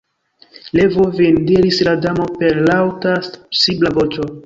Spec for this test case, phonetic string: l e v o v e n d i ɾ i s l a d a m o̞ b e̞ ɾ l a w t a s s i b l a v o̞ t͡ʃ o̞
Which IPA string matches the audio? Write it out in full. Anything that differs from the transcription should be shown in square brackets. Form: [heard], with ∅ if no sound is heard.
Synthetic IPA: l e v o v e n d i ɾ i s l a d a m o̞ [p] e̞ ɾ l a w t a s s i b l a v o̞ t͡ʃ o̞